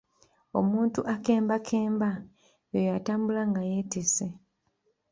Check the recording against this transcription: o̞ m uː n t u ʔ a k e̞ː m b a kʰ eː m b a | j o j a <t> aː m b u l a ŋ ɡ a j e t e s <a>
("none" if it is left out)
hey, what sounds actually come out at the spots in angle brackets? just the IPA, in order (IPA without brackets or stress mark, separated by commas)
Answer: t, e